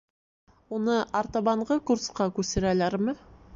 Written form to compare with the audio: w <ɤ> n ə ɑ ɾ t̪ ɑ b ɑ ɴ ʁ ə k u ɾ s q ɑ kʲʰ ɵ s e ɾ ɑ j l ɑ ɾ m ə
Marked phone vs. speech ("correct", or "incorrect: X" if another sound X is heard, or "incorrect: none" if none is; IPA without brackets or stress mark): incorrect: o